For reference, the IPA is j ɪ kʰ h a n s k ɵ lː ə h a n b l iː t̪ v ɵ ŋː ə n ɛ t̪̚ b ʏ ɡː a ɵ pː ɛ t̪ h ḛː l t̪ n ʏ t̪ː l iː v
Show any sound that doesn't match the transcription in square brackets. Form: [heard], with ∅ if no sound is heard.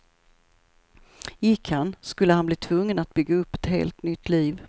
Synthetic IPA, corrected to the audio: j ɪ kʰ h a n s k ɵ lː ə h a n b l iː [t̪ʰ] v ɵ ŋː ə n [a] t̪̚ b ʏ ɡː a ɵ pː ɛ t̪ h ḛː l t̪ n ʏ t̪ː l iː v